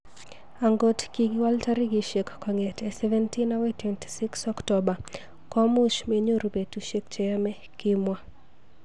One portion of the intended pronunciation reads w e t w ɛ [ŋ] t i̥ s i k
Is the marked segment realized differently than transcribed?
yes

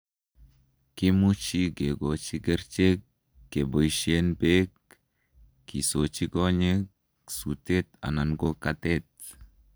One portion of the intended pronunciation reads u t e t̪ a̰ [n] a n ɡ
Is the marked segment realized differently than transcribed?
no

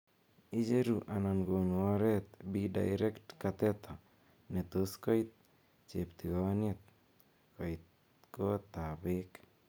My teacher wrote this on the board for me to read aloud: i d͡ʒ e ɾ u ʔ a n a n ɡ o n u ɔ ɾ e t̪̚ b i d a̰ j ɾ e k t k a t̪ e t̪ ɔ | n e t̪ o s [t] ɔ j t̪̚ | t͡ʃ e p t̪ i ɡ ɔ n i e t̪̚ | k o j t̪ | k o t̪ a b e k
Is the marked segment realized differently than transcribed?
yes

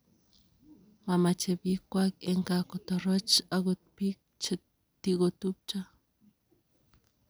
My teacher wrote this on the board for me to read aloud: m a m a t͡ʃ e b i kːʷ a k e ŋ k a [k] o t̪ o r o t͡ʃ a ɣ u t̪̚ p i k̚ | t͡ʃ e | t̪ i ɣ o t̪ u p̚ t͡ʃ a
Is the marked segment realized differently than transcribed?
no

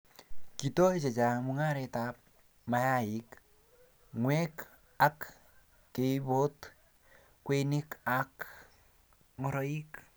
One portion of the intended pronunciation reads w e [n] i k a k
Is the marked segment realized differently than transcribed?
no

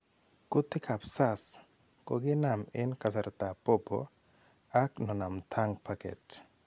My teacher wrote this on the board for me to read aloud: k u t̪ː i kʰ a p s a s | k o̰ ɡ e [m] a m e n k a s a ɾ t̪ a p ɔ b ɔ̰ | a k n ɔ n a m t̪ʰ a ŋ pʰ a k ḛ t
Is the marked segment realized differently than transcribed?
yes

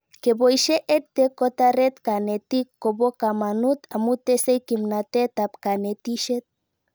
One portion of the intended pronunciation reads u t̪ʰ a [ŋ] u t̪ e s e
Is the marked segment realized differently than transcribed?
yes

